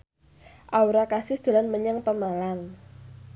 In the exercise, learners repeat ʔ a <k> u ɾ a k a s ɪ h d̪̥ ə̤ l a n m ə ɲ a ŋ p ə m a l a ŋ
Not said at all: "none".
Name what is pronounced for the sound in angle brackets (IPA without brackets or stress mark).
none